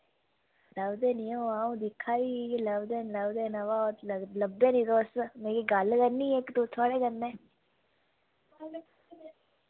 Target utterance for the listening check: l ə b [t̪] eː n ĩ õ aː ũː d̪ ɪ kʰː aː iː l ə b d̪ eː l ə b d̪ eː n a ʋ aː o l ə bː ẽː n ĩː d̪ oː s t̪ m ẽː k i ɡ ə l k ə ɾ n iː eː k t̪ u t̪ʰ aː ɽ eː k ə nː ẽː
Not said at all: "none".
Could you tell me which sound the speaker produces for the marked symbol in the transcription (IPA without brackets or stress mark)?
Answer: d̪